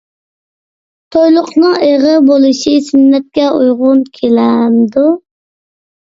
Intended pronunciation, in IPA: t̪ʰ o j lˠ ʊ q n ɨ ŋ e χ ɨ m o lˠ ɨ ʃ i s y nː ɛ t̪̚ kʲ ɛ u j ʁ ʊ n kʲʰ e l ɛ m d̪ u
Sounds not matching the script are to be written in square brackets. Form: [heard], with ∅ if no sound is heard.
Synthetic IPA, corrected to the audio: t̪ʰ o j lˠ ʊ q n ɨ ŋ e [ʁ] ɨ [b] o lˠ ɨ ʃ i s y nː ɛ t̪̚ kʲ ɛ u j ʁ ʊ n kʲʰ e l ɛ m d̪ u